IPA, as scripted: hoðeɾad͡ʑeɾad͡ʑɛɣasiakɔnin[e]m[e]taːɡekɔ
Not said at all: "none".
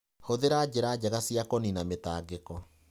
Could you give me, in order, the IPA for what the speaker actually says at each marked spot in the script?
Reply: a, e

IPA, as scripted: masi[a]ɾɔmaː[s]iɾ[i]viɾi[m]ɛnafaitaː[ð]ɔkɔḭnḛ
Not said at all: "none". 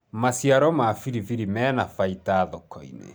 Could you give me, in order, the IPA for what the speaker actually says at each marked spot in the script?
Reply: a, f, i, m, ð

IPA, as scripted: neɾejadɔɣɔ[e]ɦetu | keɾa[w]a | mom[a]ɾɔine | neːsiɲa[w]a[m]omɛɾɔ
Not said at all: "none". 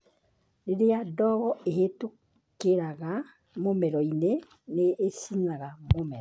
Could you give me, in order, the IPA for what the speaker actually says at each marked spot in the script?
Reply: e, ɣ, ɛ, ɣ, m

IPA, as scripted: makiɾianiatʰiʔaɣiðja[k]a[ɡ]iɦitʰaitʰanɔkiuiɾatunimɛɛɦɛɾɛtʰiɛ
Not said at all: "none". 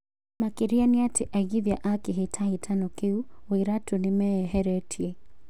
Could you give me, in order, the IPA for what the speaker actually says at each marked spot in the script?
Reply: ʔ, k

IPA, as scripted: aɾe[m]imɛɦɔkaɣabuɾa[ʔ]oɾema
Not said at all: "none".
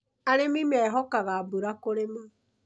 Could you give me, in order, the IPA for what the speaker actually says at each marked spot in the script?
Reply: m, k

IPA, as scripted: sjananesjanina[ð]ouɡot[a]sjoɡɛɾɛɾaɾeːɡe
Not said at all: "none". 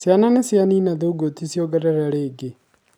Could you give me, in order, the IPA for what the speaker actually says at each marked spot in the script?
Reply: ð, i

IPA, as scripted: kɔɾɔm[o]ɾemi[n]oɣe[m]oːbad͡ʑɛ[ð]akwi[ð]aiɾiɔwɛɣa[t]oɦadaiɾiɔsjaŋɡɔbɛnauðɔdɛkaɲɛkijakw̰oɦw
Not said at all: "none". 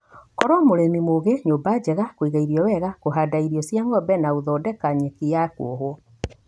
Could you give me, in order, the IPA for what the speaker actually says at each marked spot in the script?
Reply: o, m, ɲ, ɣ, ɣ, k

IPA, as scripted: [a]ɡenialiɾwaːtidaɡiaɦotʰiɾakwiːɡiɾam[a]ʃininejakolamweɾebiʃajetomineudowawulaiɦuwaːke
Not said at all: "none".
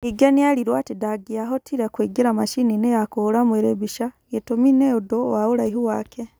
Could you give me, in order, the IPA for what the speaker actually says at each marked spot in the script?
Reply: i, a

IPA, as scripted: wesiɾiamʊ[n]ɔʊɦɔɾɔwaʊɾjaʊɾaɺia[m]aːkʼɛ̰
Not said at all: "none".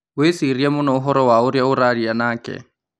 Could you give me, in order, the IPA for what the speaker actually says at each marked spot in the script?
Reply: n, n

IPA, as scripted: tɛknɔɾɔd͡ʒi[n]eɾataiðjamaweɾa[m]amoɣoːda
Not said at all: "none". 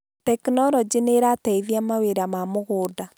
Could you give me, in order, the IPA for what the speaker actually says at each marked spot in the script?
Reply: n, m

